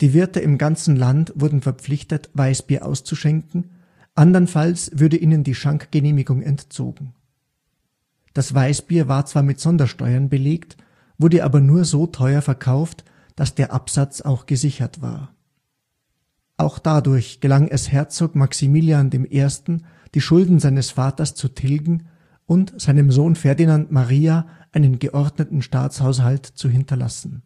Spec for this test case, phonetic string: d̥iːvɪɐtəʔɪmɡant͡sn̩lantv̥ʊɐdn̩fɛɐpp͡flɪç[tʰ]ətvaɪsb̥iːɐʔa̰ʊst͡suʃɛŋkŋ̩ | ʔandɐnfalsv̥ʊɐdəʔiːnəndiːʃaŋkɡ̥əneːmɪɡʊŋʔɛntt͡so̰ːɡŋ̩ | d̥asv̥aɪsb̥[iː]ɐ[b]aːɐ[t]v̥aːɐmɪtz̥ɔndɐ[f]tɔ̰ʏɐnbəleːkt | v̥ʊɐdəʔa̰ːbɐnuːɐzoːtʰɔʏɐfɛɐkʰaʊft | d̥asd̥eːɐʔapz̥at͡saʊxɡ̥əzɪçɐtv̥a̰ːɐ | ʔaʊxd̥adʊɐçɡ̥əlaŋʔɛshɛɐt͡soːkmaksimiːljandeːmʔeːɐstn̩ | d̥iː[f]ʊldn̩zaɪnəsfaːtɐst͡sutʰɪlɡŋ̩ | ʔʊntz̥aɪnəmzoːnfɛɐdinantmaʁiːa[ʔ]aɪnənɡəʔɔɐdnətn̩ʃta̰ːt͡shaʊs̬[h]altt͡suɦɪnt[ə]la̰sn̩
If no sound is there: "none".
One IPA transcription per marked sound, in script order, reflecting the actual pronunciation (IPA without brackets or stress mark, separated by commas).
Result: t, iː, v, t͡s, ʃ, ʃ, ʔ, h, ɐ